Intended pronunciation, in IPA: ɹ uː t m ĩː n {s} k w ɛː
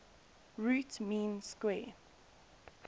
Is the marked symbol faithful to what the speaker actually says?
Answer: yes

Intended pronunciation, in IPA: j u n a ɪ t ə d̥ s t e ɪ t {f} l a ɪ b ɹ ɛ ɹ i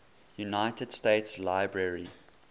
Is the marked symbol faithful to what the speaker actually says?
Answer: no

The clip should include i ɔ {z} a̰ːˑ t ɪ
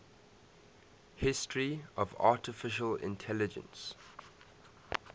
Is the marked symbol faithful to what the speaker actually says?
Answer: no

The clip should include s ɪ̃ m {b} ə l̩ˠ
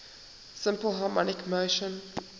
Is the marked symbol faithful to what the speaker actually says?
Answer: no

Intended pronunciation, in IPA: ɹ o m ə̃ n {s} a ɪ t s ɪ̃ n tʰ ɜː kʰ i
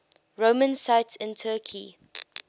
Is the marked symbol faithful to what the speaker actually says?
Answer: yes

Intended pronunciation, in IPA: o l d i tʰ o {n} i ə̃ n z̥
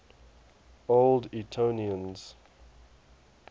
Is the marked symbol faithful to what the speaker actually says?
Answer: yes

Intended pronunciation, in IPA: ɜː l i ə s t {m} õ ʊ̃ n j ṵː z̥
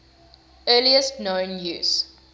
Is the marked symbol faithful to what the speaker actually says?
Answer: no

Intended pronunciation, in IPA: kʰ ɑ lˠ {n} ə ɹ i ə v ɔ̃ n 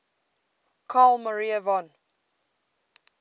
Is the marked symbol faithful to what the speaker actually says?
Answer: no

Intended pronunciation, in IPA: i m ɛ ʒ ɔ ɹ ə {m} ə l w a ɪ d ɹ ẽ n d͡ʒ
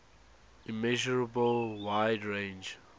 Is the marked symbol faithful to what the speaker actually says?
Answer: no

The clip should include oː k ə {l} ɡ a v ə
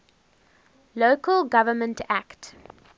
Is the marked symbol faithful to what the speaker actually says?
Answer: yes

